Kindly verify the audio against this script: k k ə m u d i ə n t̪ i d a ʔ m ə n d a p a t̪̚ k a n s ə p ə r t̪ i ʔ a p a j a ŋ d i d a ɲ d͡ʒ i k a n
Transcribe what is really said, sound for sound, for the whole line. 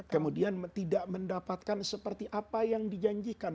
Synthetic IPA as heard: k k ə m u d i a n t̪ i d a ʔ m ə n d a p a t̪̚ k a n s ə p ə r t̪ i ʔ a p a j a ŋ d i d͡ʒ a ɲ d͡ʒ i k a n